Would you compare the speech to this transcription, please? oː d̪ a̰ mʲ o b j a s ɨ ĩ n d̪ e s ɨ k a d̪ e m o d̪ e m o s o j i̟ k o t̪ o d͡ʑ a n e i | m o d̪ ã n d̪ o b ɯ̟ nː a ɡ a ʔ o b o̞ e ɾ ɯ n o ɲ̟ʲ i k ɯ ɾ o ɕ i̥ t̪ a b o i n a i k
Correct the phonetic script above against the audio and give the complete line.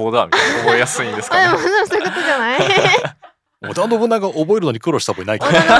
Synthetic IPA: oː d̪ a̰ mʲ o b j a s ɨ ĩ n d̪ e s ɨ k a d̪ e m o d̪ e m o s o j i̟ k o t̪ o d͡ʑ a n a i | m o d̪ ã n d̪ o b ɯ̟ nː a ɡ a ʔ o b o̞ e ɾ ɯ n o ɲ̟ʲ i k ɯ ɾ o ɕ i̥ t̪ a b o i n a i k